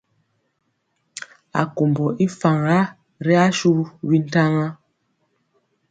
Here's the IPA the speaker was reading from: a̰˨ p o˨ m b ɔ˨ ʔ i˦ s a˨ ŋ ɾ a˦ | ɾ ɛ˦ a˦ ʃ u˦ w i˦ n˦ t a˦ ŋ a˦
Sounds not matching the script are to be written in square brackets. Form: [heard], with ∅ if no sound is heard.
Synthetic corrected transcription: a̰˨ [k] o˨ m b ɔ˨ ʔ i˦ [f] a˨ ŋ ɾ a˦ | ɾ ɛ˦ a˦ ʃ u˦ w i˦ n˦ t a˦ ŋ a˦